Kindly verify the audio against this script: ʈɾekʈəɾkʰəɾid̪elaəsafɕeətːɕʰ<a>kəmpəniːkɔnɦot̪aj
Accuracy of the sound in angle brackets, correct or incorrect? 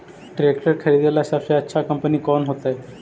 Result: correct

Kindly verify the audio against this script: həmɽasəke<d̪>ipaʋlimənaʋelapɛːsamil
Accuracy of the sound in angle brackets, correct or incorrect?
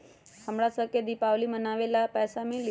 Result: correct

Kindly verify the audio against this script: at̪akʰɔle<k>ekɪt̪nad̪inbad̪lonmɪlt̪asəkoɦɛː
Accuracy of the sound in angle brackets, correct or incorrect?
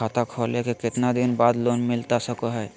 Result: correct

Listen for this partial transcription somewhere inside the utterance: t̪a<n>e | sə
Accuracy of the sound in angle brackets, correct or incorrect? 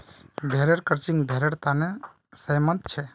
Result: correct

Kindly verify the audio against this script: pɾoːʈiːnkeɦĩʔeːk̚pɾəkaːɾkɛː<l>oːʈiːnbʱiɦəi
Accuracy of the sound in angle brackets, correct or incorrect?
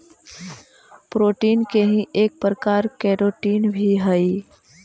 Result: incorrect: ɾ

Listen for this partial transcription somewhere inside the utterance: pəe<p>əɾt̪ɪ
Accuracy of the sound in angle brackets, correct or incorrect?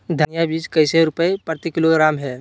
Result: correct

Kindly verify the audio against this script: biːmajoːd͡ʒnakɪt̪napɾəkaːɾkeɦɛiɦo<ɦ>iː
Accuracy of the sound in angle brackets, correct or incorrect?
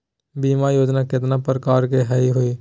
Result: incorrect: none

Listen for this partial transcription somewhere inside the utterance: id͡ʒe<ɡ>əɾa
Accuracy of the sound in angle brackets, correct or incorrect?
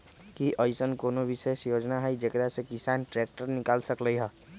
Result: incorrect: k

